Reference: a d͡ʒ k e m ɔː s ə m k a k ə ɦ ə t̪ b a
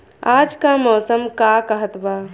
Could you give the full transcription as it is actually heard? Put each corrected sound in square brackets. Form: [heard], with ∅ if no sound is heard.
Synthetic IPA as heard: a d͡ʒ k [a] m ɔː s ə m k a k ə ɦ ə t̪ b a